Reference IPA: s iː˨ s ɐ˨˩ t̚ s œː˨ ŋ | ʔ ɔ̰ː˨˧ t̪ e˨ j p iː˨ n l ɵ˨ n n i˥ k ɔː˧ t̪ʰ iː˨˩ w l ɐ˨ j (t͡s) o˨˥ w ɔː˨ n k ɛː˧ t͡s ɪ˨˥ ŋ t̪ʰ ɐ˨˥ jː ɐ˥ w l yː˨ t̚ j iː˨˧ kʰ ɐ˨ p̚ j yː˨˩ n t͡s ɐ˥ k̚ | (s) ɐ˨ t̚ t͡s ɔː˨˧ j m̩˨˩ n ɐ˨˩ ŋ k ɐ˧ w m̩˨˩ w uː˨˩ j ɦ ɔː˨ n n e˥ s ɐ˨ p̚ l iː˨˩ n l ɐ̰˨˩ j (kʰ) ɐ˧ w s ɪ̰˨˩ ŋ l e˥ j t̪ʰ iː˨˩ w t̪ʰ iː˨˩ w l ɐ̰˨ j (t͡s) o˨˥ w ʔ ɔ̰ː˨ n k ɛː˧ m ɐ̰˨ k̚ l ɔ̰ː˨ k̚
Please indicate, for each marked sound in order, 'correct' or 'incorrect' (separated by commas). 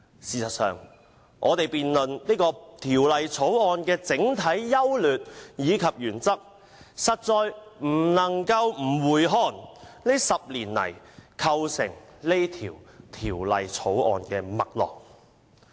incorrect, correct, correct, incorrect